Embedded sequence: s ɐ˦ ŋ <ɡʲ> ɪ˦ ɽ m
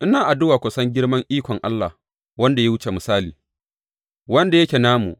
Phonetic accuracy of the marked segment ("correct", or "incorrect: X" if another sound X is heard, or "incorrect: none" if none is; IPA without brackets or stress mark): correct